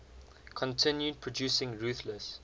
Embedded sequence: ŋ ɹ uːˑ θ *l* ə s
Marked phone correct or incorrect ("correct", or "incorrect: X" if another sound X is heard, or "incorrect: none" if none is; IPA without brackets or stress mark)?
correct